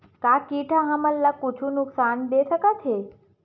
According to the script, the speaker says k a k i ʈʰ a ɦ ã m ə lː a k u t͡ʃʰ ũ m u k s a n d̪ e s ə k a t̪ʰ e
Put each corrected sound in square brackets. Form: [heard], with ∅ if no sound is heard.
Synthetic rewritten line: k a k i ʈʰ a ɦ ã m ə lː a k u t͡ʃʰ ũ [n] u k s a n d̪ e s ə k a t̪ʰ e